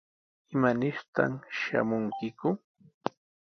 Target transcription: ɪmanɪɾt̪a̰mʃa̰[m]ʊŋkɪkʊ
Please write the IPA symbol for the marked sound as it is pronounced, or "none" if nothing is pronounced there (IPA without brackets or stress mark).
m